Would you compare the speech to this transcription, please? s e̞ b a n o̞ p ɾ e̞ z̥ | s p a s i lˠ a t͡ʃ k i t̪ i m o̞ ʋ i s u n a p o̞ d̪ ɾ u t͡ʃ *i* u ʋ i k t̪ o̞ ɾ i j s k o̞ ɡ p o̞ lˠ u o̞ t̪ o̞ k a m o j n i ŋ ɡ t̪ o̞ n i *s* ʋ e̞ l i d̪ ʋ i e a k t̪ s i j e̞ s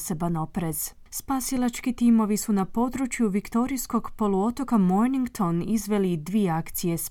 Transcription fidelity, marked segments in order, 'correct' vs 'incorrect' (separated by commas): incorrect, incorrect